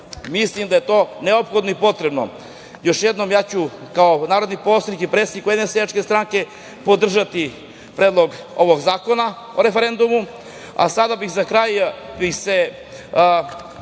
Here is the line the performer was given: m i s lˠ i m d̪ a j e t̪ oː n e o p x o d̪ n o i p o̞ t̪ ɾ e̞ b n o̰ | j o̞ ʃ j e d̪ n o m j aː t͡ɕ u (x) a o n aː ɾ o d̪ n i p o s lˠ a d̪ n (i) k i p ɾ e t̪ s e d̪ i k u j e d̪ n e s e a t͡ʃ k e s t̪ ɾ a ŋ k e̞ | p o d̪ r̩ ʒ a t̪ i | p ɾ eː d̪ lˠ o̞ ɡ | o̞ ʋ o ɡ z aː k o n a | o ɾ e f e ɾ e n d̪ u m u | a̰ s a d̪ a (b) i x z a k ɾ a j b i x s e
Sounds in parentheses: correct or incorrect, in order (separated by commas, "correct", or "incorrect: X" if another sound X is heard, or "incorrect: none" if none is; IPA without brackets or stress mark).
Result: incorrect: k, correct, correct